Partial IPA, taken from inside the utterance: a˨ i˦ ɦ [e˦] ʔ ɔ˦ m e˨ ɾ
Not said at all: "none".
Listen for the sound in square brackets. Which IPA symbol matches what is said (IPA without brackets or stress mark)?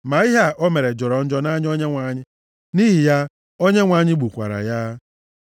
a˦